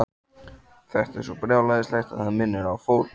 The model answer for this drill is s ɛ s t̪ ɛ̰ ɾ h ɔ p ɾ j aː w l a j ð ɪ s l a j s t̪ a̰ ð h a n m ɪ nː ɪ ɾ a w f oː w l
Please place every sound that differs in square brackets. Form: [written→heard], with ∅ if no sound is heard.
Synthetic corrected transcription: [s→θ] ɛ [s→h] t̪ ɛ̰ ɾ [h→s] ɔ p ɾ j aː w l a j ð ɪ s l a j [s→x] t̪ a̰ ð h a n m ɪ nː ɪ ɾ a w f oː w l